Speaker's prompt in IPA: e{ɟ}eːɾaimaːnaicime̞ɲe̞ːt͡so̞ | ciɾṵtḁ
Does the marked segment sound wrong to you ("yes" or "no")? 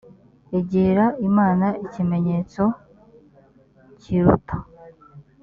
no